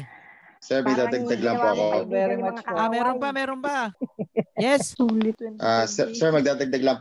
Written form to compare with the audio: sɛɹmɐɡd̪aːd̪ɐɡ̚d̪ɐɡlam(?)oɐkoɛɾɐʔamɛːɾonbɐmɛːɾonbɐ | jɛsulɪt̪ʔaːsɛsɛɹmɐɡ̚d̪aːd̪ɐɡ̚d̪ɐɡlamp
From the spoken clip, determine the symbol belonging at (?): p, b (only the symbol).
p